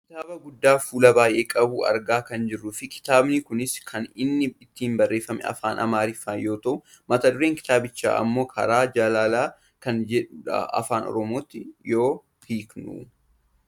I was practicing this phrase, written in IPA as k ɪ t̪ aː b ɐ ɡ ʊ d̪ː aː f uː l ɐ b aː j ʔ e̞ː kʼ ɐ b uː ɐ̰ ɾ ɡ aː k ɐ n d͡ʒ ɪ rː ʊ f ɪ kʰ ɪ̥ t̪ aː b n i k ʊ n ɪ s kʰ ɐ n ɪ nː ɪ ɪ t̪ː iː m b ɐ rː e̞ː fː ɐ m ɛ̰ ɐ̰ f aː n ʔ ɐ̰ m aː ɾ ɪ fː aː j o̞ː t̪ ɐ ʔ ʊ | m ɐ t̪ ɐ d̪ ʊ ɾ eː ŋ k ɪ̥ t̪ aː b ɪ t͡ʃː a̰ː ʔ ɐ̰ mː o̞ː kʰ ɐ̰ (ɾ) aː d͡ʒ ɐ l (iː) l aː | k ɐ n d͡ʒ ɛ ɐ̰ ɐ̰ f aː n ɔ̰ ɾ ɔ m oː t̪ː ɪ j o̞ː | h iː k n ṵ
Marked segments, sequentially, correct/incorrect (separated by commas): correct, incorrect